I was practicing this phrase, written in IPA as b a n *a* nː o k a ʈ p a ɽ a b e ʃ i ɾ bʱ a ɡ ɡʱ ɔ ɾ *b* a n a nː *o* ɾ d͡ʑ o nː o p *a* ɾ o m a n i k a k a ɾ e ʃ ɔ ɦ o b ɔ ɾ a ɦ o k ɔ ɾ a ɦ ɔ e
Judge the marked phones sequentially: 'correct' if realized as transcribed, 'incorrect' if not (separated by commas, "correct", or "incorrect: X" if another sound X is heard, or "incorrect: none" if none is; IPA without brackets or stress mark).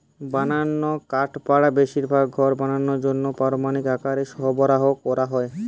correct, correct, correct, correct